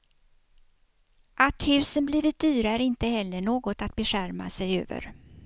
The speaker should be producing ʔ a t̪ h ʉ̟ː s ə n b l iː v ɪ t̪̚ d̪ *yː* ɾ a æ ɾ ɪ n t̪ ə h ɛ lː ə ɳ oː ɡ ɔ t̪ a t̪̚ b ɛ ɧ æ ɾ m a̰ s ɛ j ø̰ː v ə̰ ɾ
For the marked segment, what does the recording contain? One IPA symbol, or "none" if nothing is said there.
yː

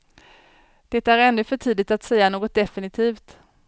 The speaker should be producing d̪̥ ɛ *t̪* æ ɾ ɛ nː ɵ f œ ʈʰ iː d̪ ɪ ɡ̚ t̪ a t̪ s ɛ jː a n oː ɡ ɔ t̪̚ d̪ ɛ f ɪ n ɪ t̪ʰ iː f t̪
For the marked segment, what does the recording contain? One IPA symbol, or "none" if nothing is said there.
t̪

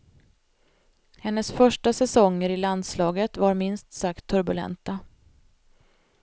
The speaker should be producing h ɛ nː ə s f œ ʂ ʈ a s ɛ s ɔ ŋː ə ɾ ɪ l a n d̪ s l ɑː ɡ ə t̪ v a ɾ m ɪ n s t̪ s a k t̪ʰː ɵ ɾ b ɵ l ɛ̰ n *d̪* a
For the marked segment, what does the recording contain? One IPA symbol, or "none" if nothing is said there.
t̪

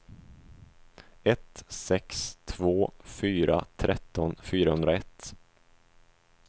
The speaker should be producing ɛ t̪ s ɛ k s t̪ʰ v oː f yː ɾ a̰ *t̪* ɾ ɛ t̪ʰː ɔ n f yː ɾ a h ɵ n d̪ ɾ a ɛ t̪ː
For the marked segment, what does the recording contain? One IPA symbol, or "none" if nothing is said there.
t̪ʰ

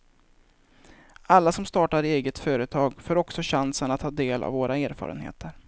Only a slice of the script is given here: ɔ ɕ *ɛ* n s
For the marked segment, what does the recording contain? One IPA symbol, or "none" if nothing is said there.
a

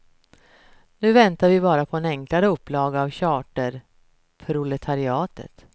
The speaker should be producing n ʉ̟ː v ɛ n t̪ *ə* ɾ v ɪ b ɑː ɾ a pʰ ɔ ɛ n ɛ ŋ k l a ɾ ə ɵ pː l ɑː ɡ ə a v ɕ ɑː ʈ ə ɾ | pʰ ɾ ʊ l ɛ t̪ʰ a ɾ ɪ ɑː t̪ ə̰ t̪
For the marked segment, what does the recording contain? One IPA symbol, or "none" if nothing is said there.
a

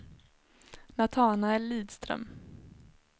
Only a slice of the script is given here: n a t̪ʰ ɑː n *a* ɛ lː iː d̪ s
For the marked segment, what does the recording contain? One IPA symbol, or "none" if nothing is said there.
a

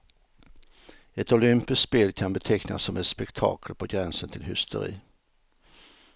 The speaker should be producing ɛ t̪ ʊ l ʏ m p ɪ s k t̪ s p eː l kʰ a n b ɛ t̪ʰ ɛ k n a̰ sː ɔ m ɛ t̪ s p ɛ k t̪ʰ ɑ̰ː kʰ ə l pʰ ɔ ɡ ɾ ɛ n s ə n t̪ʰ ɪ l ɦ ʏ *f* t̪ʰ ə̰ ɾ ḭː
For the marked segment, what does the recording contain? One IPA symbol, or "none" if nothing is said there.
s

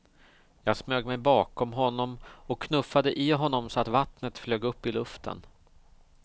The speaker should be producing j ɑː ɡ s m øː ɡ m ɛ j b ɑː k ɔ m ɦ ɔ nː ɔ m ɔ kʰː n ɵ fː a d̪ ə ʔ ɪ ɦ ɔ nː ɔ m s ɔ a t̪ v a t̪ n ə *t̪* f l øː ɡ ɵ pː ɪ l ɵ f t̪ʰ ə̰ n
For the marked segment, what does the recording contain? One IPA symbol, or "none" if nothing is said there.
t̪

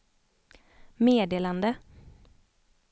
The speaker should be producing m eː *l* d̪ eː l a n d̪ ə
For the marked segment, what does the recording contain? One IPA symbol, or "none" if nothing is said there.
none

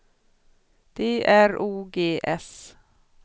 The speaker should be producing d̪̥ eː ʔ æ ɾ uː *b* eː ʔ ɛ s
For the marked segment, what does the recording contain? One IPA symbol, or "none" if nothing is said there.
ɡ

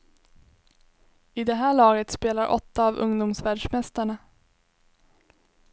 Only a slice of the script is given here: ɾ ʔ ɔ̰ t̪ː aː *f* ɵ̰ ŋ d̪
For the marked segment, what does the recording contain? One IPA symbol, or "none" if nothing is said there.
v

